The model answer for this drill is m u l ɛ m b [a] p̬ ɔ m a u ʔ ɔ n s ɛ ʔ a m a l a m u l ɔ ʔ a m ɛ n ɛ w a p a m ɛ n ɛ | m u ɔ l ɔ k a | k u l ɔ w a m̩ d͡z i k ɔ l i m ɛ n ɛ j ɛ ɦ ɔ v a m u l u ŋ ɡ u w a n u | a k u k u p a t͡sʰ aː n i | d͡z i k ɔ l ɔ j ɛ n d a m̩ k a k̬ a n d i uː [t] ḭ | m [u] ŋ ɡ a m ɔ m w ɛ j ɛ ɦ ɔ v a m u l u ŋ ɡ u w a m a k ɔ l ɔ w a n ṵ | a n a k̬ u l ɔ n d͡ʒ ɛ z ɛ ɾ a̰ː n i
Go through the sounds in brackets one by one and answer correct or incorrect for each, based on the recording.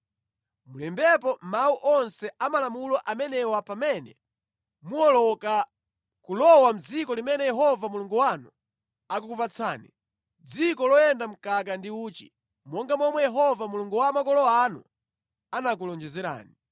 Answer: incorrect: ɛ, incorrect: t͡ʃ, incorrect: ɔ

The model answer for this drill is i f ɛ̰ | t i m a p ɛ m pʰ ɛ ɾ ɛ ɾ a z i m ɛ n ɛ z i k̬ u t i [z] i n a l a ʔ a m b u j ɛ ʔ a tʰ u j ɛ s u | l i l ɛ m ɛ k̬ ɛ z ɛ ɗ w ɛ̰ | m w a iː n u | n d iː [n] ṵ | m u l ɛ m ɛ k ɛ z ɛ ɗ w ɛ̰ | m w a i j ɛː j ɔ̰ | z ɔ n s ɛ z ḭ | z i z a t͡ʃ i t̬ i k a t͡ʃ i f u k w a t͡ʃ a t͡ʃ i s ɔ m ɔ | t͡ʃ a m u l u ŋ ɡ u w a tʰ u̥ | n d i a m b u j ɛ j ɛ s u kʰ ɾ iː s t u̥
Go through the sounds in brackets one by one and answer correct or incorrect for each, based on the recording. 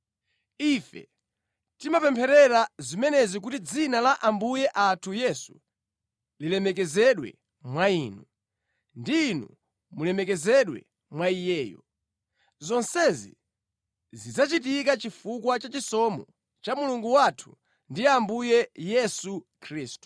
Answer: incorrect: d͡z, correct

